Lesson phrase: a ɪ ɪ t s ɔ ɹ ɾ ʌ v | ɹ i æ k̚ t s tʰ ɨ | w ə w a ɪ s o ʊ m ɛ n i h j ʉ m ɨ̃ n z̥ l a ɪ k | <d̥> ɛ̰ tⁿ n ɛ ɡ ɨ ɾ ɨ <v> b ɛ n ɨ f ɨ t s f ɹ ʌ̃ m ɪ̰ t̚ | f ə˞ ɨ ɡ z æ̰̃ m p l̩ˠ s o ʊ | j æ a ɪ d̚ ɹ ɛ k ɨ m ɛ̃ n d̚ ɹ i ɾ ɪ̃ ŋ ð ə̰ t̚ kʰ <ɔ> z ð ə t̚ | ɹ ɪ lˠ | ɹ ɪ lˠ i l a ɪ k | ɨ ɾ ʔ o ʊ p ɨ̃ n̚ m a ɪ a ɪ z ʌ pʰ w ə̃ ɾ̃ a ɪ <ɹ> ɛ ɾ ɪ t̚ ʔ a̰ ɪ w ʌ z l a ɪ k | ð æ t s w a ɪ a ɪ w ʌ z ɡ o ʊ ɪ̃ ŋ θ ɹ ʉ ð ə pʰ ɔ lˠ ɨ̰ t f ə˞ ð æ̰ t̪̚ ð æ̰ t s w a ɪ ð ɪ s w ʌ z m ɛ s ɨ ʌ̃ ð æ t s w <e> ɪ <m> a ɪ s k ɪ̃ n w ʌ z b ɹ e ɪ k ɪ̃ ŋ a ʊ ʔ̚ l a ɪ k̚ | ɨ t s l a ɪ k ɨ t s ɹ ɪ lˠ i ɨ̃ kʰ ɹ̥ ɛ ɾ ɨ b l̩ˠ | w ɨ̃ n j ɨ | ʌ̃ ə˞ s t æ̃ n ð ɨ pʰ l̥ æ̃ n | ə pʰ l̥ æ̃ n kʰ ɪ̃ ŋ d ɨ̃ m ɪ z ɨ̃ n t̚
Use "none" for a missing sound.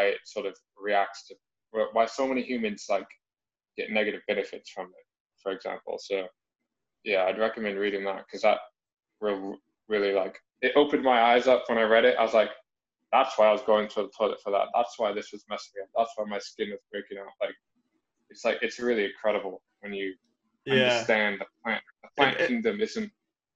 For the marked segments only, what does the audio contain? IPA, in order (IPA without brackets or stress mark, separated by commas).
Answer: ɡ̥, v, ʌ, ɹ, a, m